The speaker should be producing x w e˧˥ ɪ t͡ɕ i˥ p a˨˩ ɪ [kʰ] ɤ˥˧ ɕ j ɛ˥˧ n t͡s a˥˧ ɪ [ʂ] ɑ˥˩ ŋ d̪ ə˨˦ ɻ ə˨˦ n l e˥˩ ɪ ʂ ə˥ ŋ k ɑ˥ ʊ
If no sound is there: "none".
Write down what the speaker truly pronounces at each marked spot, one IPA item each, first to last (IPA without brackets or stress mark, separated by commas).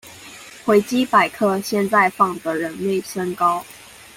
kʰ, f